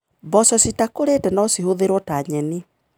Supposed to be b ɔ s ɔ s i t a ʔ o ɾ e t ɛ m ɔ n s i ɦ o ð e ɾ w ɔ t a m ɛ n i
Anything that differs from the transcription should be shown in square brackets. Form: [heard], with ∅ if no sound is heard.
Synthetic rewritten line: b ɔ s ɔ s i t a [k] o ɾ e t ɛ [n] ɔ [∅] s i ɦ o ð e ɾ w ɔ t a [ɲ] ɛ n i